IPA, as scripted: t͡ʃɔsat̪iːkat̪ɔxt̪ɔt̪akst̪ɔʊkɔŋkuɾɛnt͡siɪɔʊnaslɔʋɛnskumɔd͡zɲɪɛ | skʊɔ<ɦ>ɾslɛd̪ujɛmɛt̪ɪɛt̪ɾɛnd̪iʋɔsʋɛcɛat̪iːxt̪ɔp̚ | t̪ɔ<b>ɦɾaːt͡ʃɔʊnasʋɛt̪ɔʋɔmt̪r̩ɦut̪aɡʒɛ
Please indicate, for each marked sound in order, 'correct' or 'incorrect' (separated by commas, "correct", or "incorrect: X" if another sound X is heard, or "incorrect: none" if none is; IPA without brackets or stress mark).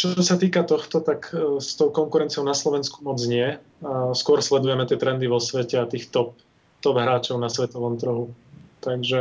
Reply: incorrect: none, correct